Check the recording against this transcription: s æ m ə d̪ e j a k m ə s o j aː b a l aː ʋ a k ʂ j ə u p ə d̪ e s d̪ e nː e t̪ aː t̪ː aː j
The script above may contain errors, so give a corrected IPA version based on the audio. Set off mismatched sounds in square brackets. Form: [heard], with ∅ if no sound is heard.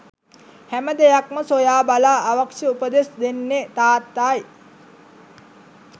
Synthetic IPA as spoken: [h] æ m ə d̪ e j a k m ə s o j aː b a l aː ʋ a k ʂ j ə u p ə d̪ e s d̪ e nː e t̪ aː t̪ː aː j